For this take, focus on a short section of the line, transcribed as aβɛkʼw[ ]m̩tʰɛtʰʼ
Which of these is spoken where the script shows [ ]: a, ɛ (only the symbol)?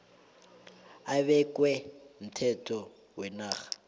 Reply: ɛ